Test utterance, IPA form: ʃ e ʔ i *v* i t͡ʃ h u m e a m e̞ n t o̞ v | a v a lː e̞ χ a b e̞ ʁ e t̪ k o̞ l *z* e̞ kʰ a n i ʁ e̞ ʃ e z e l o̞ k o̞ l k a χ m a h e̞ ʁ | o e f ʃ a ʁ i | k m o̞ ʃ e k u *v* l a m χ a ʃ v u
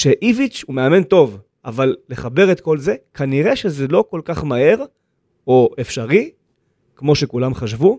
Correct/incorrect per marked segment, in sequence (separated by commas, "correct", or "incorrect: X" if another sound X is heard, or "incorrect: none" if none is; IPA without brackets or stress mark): correct, correct, incorrect: none